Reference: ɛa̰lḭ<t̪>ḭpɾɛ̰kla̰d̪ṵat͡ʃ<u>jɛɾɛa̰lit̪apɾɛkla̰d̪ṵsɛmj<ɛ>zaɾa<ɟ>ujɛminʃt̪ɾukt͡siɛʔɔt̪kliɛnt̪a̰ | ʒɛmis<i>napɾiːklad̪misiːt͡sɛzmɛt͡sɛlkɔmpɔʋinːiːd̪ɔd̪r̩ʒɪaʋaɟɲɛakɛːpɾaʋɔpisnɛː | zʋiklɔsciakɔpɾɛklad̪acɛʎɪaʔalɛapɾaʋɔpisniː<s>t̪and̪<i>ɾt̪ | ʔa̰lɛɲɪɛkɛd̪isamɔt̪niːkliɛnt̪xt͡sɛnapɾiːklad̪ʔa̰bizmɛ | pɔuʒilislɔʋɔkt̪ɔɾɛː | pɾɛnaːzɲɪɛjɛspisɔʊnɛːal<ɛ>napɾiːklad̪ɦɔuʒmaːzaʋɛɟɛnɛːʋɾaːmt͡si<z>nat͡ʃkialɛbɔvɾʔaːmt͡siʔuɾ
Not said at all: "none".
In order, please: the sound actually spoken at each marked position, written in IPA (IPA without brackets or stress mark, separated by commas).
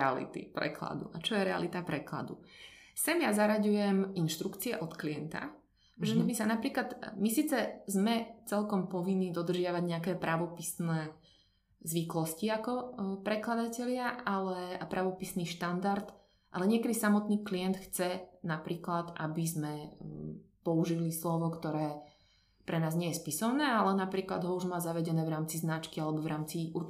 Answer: t̪, ɔ, a, ɟ, a, ʃ, a, ɛ, z